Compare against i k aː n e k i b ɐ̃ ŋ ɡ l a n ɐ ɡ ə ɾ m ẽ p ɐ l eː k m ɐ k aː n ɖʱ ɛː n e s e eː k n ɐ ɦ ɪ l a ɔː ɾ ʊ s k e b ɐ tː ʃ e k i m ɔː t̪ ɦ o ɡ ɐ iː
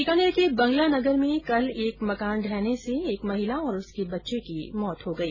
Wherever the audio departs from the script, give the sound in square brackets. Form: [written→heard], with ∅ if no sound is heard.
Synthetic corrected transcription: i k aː n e k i b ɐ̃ ŋ ɡ l a n ɐ ɡ ə ɾ m ẽ [p→k] ɐ l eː k m ɐ k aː n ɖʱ ɛː n e s e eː k [n→m] ɐ ɦ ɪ l a ɔː ɾ ʊ s k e b ɐ tː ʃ e k i m ɔː t̪ ɦ o ɡ ɐ iː